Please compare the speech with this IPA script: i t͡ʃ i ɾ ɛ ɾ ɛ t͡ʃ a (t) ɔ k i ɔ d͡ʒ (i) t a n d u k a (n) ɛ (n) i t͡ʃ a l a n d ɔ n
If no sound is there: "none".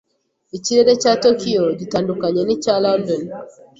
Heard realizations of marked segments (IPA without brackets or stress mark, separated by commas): t, i, ɲ, n